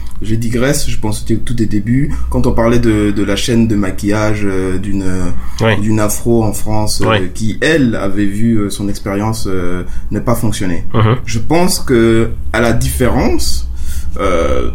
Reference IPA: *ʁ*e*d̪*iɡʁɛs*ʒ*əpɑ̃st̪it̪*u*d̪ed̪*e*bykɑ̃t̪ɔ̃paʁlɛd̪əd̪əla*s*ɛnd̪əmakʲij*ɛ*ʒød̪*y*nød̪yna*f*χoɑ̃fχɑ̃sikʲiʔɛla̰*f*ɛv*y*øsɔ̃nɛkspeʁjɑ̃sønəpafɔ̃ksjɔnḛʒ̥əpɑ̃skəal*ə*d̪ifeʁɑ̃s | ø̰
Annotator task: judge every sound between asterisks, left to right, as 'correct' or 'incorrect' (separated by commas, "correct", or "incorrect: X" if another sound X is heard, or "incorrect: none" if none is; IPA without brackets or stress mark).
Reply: incorrect: ʒ, correct, correct, correct, correct, incorrect: ʃ, incorrect: a, correct, correct, incorrect: v, correct, incorrect: a